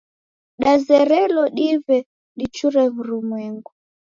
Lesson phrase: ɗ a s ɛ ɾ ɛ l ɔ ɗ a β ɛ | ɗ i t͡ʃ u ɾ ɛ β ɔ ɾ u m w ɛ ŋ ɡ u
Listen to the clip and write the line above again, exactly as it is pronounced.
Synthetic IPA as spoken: ɗ a z ɛ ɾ ɛ l ɔ ɗ i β ɛ | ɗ i t͡ʃ u ɾ ɛ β u ɾ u m w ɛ ŋ ɡ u